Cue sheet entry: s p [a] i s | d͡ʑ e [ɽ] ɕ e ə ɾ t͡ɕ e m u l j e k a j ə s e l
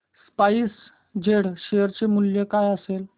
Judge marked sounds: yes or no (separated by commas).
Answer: yes, yes